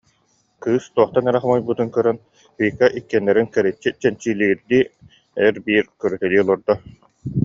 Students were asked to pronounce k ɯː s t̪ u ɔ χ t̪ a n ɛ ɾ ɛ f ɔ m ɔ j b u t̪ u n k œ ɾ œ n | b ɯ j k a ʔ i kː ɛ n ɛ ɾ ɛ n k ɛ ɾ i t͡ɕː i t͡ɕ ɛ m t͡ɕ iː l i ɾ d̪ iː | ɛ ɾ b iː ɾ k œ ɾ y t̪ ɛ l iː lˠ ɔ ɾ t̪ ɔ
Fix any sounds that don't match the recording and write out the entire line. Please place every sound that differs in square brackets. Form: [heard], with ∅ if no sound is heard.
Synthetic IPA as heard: k ɯː s t̪ u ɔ χ t̪ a n ɛ ɾ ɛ [χ] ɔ m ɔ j b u t̪ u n k œ ɾ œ n | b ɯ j k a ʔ i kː ɛ [nː] ɛ ɾ [i] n k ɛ ɾ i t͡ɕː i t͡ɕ ɛ [n] t͡ɕ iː l i ɾ d̪ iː | ɛ ɾ b iː ɾ k œ ɾ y t̪ ɛ l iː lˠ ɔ ɾ [d̪] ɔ